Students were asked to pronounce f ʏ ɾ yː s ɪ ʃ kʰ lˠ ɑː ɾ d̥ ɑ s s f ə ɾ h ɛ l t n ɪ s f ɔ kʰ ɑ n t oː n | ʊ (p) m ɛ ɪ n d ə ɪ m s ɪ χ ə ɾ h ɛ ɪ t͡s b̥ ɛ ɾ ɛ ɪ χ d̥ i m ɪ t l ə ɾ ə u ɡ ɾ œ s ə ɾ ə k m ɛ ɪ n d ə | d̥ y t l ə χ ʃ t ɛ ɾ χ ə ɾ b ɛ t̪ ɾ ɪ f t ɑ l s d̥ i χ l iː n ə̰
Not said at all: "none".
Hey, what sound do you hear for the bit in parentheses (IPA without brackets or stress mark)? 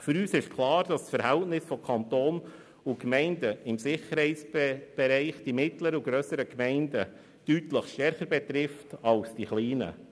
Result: k